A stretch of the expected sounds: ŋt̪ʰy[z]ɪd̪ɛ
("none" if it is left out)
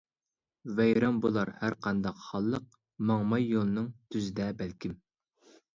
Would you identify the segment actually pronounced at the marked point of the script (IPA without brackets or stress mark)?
z